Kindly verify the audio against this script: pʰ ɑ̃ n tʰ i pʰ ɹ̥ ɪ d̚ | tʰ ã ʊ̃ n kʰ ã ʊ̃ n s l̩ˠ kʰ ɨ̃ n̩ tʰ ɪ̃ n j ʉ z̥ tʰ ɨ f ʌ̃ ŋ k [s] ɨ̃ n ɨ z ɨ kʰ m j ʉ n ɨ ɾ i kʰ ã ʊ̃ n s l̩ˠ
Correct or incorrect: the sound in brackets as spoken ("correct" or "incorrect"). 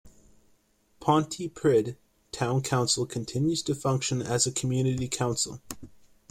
incorrect